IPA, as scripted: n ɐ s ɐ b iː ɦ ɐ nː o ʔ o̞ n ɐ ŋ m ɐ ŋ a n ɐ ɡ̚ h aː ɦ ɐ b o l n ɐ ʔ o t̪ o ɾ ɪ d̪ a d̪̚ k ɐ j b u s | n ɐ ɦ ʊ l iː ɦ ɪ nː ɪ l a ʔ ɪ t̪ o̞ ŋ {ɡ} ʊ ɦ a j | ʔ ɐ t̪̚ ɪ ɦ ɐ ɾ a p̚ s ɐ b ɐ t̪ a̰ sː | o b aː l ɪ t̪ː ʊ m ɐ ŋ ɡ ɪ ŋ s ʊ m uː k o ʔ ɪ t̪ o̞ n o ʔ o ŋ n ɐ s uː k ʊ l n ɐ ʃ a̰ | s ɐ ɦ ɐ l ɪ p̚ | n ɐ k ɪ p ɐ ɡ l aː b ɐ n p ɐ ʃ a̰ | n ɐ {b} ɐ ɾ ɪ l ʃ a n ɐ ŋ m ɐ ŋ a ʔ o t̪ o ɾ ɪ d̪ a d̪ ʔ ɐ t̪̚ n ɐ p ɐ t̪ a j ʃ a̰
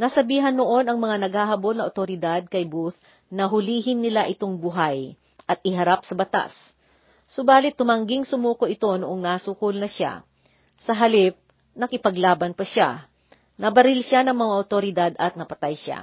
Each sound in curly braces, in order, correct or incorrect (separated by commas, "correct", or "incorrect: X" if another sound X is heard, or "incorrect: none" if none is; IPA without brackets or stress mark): incorrect: b, correct